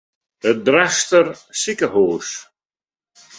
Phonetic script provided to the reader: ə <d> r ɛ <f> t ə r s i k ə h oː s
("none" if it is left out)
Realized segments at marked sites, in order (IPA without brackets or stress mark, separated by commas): d, s